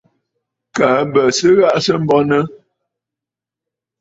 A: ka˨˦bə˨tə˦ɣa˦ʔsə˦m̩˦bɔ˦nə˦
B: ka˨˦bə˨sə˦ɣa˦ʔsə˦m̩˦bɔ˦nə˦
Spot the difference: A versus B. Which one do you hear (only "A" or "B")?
B